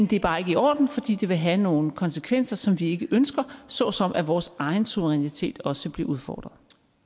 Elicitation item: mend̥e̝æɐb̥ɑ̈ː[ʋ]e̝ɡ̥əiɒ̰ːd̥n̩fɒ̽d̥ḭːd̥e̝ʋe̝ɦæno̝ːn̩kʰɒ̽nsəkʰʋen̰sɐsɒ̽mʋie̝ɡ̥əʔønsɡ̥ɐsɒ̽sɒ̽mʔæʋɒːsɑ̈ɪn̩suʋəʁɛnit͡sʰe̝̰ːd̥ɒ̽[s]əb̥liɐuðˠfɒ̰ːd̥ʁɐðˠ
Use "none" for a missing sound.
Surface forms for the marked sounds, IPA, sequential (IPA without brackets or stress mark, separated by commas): none, s